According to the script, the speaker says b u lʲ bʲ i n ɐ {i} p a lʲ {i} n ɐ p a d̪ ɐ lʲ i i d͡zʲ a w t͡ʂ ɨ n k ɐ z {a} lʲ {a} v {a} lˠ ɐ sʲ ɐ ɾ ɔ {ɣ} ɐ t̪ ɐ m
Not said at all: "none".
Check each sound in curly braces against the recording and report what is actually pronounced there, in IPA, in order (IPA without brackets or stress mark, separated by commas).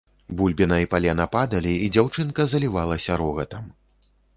i, ɛ, ɐ, i, a, ɣ